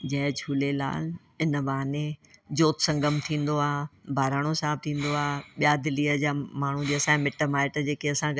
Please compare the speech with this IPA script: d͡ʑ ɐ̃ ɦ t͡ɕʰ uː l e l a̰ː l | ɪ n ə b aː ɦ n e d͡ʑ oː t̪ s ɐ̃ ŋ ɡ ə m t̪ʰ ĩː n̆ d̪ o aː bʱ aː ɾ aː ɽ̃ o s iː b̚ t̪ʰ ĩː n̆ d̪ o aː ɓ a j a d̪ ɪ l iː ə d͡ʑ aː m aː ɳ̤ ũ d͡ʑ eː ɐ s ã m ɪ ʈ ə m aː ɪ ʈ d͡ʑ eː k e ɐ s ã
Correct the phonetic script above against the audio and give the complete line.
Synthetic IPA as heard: d͡ʑ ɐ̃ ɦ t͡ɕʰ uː l e l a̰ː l | ɪ n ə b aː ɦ n e d͡ʑ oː t̪ s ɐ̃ ŋ ɡ ə m t̪ʰ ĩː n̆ d̪ o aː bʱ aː ɾ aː ɽ̃ o s aː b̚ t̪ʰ ĩː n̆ d̪ o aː ɓ i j a d̪ ɪ l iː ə d͡ʑ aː m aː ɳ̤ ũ d͡ʑ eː ɐ s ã m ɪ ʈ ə m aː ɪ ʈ d͡ʑ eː k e ɐ s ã